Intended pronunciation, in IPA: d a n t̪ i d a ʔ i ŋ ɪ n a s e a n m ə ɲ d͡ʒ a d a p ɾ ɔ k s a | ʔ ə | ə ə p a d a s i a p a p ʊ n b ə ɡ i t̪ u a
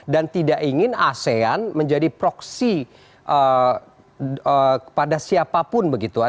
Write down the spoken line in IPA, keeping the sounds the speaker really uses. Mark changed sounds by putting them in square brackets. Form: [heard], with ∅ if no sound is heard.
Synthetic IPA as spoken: d a n t̪ i d a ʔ i ŋ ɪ n a s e a n m ə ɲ d͡ʒ a d [i] p ɾ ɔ k s [i] | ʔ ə | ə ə p a d a s i a p a p ʊ n b ə ɡ i t̪ u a